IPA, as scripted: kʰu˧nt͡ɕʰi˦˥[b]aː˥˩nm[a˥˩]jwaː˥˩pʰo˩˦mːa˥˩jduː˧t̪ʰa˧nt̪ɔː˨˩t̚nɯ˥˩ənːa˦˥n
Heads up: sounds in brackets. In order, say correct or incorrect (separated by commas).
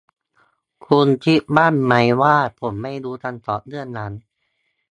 correct, incorrect